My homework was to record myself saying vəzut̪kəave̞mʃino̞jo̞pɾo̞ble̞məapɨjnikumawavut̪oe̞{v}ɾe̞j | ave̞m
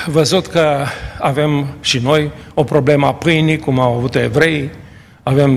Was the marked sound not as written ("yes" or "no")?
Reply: no